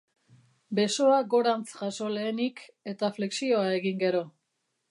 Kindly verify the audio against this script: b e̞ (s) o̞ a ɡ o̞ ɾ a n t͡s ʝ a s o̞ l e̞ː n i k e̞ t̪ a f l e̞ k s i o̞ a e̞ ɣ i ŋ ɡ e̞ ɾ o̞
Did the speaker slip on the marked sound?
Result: no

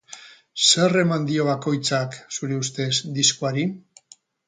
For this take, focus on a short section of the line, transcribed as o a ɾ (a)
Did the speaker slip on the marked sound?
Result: yes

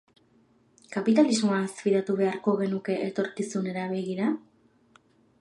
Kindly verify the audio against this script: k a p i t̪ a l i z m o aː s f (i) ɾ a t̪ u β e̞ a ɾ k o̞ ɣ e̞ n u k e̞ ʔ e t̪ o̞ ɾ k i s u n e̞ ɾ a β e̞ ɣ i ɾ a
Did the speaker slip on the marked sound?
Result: no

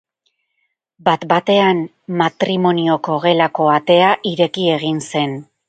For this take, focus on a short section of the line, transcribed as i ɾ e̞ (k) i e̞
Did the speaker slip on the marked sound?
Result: no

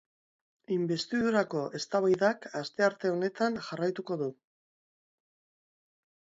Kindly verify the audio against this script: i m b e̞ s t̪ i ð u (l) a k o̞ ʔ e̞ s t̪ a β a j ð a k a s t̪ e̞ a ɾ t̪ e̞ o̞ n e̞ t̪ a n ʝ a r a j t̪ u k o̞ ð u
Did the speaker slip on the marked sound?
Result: yes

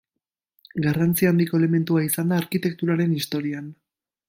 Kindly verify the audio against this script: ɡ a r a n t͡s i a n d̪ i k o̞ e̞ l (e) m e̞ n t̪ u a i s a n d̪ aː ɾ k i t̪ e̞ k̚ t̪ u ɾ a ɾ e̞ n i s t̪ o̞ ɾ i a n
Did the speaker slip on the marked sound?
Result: no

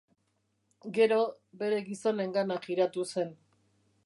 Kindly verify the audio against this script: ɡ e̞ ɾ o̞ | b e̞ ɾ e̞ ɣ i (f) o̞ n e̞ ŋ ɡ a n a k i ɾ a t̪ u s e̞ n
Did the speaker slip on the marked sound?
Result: yes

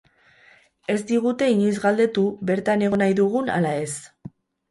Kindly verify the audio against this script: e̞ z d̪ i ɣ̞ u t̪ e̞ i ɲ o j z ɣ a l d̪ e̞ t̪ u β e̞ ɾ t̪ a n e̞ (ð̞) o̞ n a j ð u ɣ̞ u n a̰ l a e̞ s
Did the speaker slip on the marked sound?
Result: yes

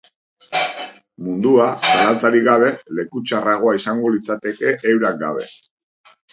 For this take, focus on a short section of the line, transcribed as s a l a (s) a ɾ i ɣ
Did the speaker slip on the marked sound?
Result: yes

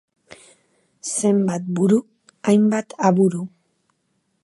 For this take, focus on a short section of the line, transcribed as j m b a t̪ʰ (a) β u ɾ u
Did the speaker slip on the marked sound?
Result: no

